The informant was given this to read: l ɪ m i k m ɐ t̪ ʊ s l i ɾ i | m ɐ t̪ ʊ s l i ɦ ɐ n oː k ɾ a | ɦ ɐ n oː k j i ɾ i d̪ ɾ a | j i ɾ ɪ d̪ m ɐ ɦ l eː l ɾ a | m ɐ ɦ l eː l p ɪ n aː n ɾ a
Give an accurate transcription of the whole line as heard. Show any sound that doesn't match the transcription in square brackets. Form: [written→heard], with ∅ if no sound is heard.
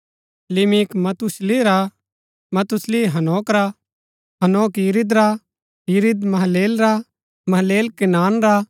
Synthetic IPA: l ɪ m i k m ɐ t̪ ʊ s l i ɾ [i→a] | m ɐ t̪ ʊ s l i ɦ ɐ n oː k ɾ a | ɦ ɐ n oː k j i ɾ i d̪ ɾ a | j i ɾ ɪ d̪ m ɐ ɦ l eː l ɾ a | m ɐ ɦ l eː l [p→k] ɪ n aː n ɾ a